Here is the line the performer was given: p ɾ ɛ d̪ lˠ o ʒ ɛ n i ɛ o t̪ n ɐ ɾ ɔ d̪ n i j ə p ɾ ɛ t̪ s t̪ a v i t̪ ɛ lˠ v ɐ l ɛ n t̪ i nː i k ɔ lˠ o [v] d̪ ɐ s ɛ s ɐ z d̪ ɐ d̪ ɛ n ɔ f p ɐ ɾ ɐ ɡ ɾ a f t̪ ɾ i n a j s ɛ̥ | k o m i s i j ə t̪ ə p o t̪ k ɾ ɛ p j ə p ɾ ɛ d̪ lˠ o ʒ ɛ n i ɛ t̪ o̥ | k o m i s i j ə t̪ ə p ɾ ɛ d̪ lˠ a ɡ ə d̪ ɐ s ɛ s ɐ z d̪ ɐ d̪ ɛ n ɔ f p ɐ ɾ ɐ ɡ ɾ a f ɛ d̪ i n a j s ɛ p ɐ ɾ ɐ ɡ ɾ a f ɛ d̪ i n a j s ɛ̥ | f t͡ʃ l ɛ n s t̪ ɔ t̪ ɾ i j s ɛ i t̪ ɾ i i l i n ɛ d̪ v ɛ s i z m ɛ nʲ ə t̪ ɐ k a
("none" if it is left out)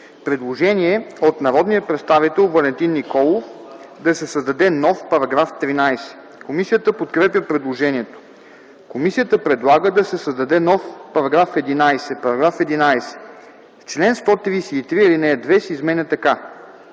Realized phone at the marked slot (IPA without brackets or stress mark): f